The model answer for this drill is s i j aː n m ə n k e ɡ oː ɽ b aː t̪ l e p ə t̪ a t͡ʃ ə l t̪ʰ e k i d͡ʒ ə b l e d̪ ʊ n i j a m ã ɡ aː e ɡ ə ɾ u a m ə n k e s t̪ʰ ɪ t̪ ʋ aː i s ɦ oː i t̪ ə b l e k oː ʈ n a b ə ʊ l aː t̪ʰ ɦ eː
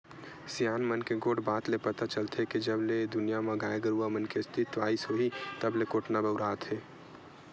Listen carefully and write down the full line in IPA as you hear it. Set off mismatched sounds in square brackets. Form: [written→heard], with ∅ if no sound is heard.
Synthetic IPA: s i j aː n m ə n k e ɡ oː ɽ b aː t̪ l e p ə t̪ a t͡ʃ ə l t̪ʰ e k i d͡ʒ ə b l e d̪ ʊ n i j a m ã ɡ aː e ɡ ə ɾ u a m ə n k e s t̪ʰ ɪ t̪ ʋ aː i s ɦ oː i t̪ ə b l e k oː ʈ n a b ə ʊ [l→ɾ] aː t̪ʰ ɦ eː